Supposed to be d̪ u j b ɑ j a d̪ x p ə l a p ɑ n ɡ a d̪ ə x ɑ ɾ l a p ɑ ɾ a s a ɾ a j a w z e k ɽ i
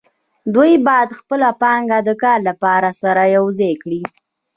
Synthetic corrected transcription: d̪ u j b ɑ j a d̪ x p ə l a p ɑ ŋ ɡ a d̪ ə k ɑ ɾ l a p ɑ ɾ a s a ɾ a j a w z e k ɽ i

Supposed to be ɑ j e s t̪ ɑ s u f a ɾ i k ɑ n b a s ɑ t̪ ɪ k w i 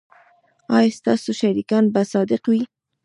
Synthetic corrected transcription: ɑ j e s t̪ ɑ s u ʃ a ɾ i k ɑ n b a s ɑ d̪ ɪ q w i

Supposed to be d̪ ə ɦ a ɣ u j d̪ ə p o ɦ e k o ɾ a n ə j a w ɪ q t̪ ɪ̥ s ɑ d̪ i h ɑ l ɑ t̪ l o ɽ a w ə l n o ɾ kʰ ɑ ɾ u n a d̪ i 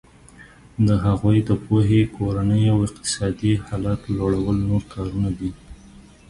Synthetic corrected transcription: d̪ ə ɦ a ɣ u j d̪ ə p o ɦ e k o ɾ a n ə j a w ɪ q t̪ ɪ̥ s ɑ d̪ i h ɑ l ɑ t̪ l o ɽ a w ə l n o ɾ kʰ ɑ ɾ u n a d̪ i

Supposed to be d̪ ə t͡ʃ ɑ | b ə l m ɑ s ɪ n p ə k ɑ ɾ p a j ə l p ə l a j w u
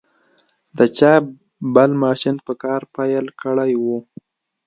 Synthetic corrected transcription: d̪ ə t͡ʃ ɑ | b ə l m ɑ ʃ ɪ n p ə k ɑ ɾ p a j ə l k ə ɽ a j w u

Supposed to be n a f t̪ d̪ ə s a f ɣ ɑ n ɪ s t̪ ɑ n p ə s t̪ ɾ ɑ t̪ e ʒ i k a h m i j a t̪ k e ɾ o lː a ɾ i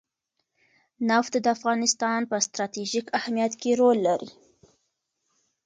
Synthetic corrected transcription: n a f t̪ d̪ ə a f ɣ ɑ n ɪ s t̪ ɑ n p ə s t̪ ɾ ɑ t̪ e ʒ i k a h m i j a t̪ k e ɾ o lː a ɾ i

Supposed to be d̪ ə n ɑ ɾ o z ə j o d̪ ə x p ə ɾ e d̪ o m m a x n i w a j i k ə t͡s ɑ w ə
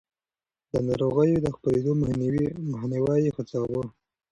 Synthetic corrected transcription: d̪ ə n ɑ ɾ o ɣ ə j o d̪ ə x p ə ɾ e d̪ o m m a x n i w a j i x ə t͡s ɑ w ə

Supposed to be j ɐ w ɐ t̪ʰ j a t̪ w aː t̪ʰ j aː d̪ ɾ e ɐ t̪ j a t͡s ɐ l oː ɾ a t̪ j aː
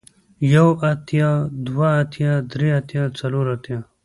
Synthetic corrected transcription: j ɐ w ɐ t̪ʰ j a d̪ w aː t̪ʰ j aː d̪ ɾ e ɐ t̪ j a t͡s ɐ l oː ɾ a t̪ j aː

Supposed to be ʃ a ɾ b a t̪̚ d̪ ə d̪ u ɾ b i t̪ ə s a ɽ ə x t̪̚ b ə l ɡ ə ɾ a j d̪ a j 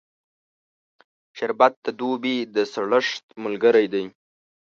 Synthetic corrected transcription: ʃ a ɾ b a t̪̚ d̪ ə d̪ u b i d̪ ə s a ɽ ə ʂ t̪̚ m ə l ɡ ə ɾ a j d̪ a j

